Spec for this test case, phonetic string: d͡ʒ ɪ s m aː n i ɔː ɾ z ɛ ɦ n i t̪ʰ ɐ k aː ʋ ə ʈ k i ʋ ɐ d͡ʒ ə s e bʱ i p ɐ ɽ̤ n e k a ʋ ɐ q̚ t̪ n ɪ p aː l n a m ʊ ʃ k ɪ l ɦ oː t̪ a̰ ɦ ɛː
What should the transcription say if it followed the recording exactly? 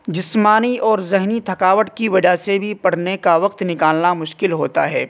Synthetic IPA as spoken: d͡ʒ ɪ s m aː n i ɔː ɾ z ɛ ɦ n i t̪ʰ ɐ k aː ʋ ə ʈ k i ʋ ɐ d͡ʒ a s e bʱ i p ɐ ɽ̤ n e k a ʋ ɐ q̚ t̪ n ɪ k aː l n a m ʊ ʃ k ɪ l ɦ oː t̪ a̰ ɦ ɛː